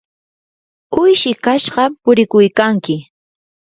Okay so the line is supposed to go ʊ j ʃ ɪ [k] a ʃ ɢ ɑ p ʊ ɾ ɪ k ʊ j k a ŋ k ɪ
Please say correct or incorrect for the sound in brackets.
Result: correct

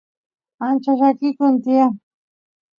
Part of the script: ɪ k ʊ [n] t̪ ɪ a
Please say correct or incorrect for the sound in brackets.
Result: correct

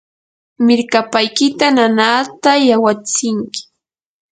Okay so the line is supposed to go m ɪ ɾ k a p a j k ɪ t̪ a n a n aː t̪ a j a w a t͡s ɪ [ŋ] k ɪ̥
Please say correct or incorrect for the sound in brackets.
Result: correct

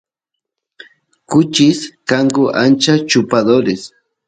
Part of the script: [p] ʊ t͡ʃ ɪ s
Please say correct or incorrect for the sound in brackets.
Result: incorrect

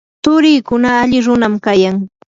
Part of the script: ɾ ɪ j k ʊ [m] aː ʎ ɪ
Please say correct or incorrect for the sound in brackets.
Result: incorrect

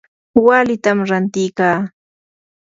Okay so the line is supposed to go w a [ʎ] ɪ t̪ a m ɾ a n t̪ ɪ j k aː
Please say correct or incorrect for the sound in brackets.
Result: incorrect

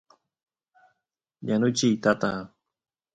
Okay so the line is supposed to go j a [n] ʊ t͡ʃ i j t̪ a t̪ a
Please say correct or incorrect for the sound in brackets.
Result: correct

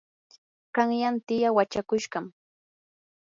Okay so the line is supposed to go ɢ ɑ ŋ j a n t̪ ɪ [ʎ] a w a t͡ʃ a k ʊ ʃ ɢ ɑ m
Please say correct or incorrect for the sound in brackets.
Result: incorrect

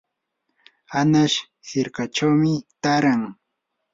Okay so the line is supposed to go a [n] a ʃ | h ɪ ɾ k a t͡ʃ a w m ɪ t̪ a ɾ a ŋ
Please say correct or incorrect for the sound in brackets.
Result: correct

